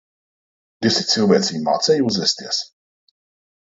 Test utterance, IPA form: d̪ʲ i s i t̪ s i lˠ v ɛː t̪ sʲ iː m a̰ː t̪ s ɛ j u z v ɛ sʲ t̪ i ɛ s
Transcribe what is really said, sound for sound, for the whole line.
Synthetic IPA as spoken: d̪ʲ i s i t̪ s i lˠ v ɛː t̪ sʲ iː m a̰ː t̪ s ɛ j u z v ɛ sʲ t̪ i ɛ s